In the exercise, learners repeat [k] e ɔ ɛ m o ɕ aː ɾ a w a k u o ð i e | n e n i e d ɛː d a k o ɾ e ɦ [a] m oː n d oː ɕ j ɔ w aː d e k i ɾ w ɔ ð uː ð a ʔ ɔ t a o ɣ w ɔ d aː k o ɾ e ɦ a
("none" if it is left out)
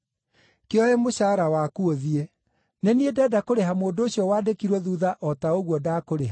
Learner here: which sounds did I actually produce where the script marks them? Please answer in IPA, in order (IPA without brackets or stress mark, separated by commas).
k, a